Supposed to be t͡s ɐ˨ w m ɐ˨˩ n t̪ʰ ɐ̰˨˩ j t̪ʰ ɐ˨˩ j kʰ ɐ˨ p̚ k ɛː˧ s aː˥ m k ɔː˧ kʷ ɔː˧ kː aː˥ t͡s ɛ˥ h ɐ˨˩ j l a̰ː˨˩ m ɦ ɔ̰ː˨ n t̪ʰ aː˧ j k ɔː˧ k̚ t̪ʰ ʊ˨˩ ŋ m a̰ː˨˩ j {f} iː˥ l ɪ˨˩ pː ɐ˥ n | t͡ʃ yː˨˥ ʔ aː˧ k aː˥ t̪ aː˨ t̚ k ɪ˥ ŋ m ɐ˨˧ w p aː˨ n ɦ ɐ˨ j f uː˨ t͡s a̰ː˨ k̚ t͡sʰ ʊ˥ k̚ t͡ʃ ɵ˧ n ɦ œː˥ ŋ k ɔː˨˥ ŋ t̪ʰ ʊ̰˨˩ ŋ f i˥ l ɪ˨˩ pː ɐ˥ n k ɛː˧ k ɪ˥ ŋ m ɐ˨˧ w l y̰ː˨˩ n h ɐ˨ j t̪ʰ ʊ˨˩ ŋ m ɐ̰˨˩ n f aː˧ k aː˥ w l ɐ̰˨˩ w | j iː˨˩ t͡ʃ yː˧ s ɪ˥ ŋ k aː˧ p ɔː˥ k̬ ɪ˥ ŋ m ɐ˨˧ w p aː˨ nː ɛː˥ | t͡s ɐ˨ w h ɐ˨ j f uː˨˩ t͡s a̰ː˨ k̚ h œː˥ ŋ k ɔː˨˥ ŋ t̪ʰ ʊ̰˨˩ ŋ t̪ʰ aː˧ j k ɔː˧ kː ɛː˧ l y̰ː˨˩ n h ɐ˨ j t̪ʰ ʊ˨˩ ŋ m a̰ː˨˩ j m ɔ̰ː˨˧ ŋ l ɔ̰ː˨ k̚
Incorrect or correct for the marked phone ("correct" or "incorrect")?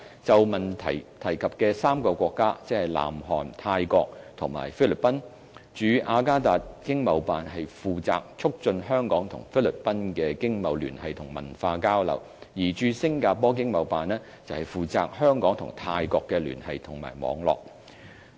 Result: correct